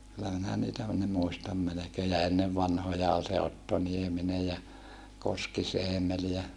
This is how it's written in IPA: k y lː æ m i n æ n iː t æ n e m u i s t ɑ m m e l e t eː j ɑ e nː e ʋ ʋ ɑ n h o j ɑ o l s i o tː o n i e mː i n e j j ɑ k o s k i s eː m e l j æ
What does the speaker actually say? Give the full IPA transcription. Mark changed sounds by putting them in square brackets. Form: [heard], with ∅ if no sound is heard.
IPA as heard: k y lː æ m i n æ n iː t æ n e m u i s t ɑ m m e l e [k] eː j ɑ e nː e ʋ ʋ ɑ n h o j ɑ o l s [e] o tː o n i e [m] i n e j j ɑ k o s k i s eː m e l j æ